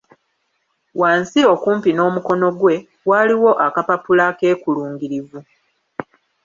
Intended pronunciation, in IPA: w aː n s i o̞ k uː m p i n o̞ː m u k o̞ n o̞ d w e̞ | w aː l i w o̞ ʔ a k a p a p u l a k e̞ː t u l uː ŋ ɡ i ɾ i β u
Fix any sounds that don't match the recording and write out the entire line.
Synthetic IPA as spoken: w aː n s i o̞ k uː m p i n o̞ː m u k o̞ n o̞ ɡ w e̞ | w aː l i w o̞ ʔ a k a p a p u l a k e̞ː k u l uː ŋ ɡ i ɾ i v u